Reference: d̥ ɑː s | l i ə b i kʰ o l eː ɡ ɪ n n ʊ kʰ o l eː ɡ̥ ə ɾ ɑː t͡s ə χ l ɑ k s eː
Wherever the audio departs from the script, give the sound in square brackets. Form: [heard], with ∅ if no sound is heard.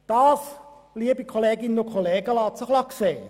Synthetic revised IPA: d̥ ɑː s | l i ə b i kʰ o l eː ɡ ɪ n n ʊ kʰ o l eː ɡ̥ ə [l] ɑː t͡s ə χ l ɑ k s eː